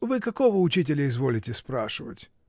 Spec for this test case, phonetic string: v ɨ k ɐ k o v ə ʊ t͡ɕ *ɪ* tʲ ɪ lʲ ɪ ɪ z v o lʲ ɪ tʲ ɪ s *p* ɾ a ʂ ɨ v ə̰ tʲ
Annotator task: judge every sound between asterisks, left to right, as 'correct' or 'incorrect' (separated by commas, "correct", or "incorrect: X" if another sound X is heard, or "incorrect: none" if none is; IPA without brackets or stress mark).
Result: incorrect: i, correct